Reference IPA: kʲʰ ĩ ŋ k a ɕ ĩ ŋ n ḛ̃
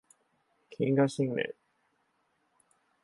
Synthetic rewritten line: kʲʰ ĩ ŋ ɡ a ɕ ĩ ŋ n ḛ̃